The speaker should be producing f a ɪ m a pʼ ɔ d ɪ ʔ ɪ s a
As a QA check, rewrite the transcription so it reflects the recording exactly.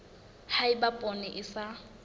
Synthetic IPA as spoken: h a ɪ b a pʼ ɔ n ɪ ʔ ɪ s a